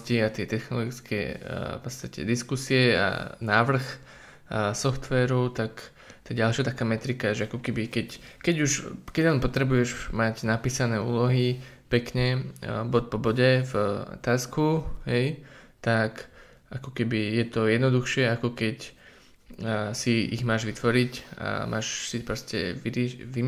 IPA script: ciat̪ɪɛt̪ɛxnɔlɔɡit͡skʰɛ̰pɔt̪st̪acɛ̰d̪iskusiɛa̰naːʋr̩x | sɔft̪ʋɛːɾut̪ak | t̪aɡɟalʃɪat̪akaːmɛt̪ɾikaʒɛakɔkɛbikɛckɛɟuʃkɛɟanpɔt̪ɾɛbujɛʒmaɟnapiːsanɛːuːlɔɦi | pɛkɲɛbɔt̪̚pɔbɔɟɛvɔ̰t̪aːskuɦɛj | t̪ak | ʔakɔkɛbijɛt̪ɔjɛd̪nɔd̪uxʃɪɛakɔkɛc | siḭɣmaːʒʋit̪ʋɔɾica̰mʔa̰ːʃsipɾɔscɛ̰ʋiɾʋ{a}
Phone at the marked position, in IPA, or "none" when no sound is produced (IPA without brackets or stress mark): i